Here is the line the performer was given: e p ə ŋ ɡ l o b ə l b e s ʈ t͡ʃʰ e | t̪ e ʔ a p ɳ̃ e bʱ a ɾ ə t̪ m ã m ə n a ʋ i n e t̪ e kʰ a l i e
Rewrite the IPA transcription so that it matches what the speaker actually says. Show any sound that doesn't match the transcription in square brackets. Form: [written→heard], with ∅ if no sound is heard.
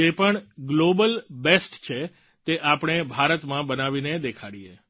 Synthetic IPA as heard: e p ə [ŋ→ɳ] ɡ l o b ə l b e s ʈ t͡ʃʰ e | t̪ e ʔ a p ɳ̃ e bʱ a ɾ ə t̪ m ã [m→b] ə n a ʋ i n e [t̪→d̪] e kʰ a [l→ɽ] i e